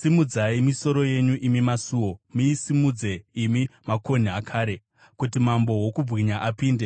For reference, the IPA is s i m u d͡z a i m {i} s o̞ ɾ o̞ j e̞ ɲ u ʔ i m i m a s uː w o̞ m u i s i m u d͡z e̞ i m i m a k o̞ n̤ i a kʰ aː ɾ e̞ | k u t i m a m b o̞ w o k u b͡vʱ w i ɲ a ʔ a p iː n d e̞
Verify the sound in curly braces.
correct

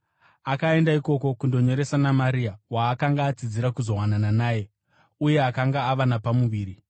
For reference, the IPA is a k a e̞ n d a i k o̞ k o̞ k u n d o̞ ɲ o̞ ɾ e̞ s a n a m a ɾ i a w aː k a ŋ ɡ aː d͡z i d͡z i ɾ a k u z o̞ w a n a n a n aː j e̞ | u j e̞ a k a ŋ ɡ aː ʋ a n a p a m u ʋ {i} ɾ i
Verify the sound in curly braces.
incorrect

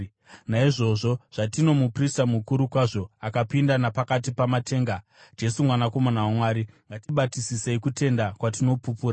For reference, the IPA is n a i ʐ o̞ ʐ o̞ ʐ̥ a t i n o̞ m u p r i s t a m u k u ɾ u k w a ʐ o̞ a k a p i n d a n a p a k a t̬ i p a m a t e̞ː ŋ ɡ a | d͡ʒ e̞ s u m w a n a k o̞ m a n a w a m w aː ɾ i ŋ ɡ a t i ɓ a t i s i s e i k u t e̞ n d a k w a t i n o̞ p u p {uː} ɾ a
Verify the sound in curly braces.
correct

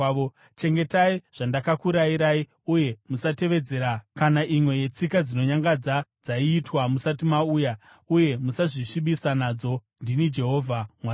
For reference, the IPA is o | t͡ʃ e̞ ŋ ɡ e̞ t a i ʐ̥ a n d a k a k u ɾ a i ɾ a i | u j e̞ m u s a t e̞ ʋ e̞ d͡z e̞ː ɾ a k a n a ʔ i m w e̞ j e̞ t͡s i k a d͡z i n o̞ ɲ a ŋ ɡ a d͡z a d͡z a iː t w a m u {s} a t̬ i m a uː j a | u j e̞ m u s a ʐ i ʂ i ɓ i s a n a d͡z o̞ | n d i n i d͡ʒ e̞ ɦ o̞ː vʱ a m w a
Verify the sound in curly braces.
correct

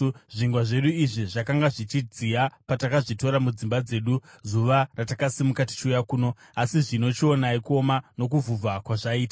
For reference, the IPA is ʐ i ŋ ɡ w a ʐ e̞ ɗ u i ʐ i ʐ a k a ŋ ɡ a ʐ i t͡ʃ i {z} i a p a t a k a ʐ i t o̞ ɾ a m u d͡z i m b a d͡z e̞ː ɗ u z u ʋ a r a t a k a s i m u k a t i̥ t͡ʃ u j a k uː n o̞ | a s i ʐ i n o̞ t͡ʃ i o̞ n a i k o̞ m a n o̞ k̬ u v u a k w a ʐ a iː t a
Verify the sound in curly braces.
incorrect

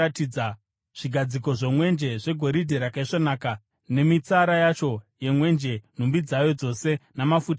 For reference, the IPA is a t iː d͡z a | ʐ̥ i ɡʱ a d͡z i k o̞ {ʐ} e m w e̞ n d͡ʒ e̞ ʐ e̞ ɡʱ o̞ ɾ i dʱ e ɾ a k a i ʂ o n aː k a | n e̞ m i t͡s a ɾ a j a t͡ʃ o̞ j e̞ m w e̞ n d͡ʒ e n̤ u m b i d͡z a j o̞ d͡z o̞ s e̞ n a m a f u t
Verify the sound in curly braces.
correct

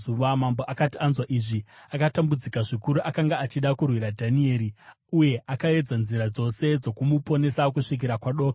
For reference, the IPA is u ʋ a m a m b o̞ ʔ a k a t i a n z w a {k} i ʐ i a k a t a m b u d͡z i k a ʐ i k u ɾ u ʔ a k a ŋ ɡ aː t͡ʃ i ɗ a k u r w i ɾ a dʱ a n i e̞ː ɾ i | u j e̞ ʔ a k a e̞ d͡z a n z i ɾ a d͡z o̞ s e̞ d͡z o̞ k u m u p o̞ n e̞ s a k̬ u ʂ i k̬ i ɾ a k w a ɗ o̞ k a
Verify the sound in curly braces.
incorrect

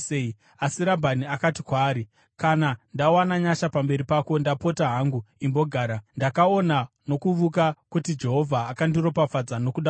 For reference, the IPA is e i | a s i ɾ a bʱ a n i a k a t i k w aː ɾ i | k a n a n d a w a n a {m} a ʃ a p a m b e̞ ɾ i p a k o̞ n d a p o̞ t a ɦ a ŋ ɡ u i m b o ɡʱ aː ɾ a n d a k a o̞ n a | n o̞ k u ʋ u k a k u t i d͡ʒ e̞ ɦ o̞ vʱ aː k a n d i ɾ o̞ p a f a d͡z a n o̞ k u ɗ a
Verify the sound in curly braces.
incorrect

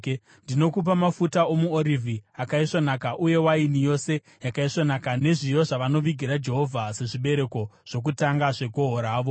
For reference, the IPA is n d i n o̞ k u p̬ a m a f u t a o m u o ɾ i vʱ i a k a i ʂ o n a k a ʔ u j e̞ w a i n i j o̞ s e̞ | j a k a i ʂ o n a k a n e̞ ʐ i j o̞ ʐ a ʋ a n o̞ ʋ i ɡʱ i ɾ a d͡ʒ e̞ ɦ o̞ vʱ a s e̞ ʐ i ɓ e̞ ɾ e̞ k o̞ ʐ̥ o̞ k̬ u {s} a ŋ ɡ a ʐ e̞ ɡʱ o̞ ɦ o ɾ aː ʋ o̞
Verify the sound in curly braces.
incorrect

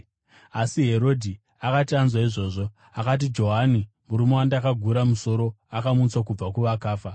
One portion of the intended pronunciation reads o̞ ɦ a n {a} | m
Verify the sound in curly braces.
incorrect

